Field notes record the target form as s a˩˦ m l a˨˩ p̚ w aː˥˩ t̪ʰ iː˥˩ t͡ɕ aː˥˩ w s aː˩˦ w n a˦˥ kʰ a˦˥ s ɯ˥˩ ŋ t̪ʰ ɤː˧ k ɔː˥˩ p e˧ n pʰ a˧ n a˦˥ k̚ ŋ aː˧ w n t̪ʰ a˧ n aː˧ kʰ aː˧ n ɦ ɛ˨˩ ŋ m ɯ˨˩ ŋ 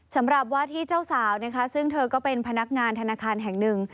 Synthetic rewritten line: s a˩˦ m ɾ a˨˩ p̚ w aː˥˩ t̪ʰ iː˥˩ t͡ɕ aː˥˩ w s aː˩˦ w n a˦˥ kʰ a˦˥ s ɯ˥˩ ŋ t̪ʰ ɤː˧ k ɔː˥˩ p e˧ n pʰ a˧ n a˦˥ k̚ ŋ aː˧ n t̪ʰ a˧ n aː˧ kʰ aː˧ n ɦ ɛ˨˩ ŋ n ɯ˨˩ ŋ

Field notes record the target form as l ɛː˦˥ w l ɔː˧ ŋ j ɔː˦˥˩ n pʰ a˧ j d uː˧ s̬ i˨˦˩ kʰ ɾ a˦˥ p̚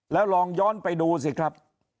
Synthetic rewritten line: l ɛː˦˥ w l ɔː˧ ŋ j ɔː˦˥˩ n p a˧ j d uː˧ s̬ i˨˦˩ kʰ ɾ a˦˥ p̚

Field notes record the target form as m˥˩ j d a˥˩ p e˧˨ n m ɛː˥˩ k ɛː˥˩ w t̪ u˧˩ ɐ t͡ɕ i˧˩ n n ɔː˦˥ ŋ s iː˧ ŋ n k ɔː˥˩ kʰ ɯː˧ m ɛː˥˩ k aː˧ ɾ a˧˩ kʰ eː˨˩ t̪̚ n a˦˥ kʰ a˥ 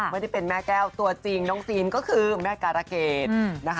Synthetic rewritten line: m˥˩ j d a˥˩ p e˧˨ n m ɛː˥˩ k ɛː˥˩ w t̪ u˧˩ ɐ t͡ɕ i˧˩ ŋ n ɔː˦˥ ŋ s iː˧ n k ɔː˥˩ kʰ ɯː˧ m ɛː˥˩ k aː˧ ɾ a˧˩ k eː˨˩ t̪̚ n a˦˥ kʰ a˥

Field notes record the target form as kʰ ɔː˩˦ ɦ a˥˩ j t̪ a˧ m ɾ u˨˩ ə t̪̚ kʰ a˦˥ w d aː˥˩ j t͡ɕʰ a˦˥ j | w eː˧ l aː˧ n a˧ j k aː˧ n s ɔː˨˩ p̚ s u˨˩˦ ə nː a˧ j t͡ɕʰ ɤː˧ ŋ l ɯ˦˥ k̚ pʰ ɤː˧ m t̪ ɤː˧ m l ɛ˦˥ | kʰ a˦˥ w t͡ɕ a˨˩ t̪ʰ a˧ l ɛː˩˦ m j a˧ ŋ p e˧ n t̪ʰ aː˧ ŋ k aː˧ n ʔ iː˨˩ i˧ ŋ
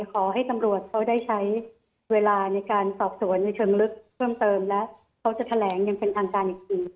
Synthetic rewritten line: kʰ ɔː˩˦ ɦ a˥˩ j t̪ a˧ m ɾ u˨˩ ə t̪̚ kʰ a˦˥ w d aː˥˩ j t͡ɕʰ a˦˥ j | w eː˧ l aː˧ n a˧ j k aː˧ n s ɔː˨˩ p̚ s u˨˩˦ ə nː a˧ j t͡ɕʰ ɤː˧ ŋ l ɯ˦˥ k̚ pʰ ɤː˥˩ m t̪ ɤː˧ m l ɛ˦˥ | kʰ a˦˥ w t͡ɕ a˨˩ t̪ʰ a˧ l ɛː˩˦ ŋ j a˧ ŋ p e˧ n t̪ʰ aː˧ ŋ k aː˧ n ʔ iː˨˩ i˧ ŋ

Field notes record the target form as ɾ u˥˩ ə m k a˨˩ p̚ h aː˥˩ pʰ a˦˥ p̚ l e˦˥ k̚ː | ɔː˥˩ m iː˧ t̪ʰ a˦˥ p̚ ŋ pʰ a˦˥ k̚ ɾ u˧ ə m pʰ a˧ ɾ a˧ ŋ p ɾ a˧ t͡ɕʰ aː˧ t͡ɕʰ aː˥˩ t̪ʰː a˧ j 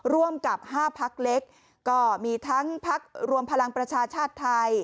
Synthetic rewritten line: ɾ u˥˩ ə m k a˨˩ p̚ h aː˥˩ pʰ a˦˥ k̚ l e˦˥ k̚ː | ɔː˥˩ m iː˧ t̪ʰ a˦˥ ŋ pʰ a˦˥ k̚ ɾ u˧ ə m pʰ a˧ l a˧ ŋ p ɾ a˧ t͡ɕʰ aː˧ t͡ɕʰ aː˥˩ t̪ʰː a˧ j

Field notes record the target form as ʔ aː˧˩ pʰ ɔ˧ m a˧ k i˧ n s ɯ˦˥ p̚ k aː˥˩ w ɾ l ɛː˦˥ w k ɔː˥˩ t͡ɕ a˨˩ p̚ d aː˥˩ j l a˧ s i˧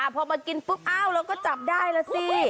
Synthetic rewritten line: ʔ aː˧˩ pʰ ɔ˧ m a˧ k i˧ n f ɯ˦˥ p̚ ʔ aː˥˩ w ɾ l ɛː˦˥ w k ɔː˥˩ t͡ɕ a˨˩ p̚ d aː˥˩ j l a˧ s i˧

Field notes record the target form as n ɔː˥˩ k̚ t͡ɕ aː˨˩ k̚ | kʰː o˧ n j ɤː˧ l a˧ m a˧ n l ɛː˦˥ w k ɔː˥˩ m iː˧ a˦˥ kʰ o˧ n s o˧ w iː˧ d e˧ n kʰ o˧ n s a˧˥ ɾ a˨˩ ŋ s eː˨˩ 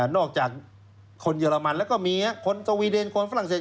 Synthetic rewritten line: n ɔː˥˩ k̚ t͡ɕ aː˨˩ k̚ | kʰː o˧ n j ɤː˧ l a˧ m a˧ n l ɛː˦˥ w k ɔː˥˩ m iː˧ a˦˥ kʰ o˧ n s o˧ w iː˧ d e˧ n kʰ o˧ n f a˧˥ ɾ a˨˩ ŋ s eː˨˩

